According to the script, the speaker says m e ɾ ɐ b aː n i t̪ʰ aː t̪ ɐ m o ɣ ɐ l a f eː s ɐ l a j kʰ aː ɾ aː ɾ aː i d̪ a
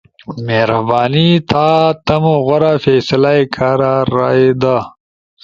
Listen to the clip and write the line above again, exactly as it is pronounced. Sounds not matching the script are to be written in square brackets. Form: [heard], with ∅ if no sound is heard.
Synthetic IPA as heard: m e ɾ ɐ b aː n i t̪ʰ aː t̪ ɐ m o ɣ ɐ [ɾ] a f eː s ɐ l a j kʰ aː ɾ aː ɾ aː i d̪ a